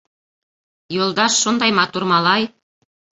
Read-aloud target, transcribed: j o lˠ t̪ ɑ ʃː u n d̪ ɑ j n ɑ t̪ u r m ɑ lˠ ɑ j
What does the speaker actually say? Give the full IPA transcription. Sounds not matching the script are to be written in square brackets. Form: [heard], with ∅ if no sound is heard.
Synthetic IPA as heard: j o lˠ [d̪] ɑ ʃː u n d̪ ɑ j [m] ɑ t̪ u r m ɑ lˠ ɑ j